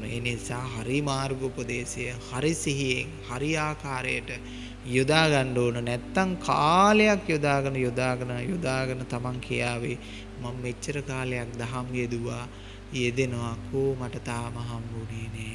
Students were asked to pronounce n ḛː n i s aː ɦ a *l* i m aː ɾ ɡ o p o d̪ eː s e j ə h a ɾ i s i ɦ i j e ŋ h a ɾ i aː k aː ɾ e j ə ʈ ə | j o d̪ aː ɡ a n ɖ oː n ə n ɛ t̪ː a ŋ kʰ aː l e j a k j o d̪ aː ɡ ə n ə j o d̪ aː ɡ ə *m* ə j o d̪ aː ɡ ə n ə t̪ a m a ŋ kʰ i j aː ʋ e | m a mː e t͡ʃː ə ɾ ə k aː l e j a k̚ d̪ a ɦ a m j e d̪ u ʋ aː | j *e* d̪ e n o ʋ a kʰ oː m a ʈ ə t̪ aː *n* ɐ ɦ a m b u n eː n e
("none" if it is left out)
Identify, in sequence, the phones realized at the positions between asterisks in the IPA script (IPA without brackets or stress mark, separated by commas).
ɾ, n, e, m